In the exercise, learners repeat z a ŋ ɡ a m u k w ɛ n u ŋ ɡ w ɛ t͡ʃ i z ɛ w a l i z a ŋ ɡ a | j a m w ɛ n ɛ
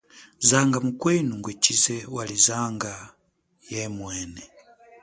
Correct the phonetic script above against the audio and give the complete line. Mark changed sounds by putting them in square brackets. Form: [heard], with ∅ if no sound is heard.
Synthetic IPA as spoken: z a ŋ ɡ a m u k w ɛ n u ŋ ɡ w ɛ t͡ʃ i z ɛ w a l i z a ŋ ɡ a | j [ɛ] m w ɛ n ɛ

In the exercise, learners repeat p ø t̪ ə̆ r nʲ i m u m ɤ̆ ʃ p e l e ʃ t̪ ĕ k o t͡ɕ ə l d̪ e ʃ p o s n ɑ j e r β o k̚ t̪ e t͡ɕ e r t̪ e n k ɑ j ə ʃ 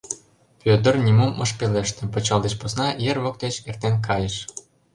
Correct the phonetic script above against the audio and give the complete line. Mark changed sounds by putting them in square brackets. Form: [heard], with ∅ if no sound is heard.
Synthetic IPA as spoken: p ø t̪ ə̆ r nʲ i m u m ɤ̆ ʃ p e l e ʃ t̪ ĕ [p] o t͡ɕ [ɑ] l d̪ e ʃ p o s n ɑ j e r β o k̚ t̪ e t͡ɕ e r t̪ e n k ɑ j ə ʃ

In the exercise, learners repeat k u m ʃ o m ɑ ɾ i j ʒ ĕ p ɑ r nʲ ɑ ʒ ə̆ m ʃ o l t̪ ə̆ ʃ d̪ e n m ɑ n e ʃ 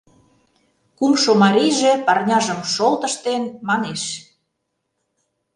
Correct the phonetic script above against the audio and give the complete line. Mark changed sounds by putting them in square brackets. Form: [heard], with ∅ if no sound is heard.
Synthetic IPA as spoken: k u m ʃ o m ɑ ɾ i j ʒ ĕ p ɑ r nʲ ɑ ʒ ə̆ m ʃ o l t̪ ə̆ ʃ [t̪] e n m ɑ n e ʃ

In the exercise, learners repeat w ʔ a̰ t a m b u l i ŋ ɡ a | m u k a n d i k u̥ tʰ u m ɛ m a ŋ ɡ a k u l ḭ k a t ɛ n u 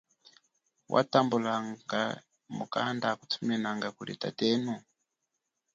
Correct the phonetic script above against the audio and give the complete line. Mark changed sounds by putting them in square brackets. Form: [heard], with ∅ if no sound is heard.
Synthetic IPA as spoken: w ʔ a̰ t a m b u l [a] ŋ ɡ a | m u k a n d [a] k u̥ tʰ u m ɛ [n] a ŋ ɡ a k u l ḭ [t] a t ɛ n u

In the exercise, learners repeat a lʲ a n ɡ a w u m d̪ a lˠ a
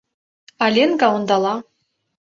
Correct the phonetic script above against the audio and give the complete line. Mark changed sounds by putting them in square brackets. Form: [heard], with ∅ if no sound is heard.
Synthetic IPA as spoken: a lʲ [e] n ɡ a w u [n] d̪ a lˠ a

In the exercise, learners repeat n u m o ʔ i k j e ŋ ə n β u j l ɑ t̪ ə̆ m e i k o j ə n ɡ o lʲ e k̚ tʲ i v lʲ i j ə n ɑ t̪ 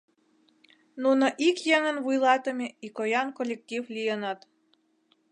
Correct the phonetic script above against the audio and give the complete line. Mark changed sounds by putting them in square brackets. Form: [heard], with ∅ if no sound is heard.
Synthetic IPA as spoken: n u [n] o ʔ i k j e ŋ ə n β u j l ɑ t̪ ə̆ m e i k o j [ɑ] n [k] o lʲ e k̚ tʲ i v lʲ i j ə n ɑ t̪

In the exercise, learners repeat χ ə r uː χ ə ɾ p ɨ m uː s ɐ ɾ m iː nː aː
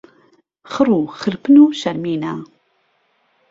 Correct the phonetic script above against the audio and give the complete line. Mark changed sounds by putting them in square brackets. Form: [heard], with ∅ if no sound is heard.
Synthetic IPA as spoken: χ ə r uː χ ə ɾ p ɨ [n] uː [ʃ] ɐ ɾ m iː [n] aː

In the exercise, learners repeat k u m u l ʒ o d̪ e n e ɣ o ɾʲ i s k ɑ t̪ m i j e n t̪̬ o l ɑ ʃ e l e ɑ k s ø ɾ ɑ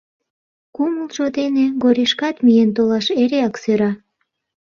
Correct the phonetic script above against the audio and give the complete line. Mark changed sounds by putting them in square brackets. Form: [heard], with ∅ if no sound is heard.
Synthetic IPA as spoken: k u m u l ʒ o d̪ e n e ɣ o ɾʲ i [ʃ] k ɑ t̪ m i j e n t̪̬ o l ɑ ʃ e [ɾ] e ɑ k s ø ɾ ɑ

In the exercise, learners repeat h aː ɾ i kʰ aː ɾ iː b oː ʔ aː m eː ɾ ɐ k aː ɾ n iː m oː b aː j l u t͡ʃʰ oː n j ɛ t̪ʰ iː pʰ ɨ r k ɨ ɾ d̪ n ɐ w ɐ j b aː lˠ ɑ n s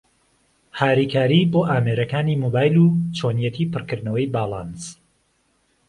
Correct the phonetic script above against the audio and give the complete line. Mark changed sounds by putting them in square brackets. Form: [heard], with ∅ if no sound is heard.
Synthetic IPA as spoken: h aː ɾ i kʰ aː ɾ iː b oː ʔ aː m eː ɾ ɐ k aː [∅] n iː m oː b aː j l u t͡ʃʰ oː n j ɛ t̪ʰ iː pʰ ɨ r k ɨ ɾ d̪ n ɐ w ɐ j b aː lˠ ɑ n s

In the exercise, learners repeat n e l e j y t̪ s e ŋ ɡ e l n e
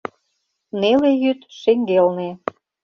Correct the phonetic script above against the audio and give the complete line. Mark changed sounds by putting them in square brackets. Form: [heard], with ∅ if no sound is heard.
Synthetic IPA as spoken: n e l e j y t̪ [ʃ] e ŋ ɡ e l n e

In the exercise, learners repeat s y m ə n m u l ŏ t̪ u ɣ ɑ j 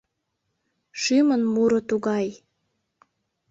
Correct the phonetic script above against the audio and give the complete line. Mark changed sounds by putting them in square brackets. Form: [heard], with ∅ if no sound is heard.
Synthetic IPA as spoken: [ʃ] y m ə n m u [ɾ] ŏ t̪ u ɣ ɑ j

